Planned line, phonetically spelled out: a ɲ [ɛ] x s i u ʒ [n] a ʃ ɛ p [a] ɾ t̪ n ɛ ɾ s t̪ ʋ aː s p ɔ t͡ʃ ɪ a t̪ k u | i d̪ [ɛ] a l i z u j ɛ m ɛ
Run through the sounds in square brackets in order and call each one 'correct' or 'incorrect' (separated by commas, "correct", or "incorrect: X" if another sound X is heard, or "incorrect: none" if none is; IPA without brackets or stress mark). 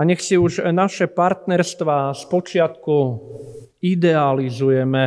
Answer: correct, correct, correct, correct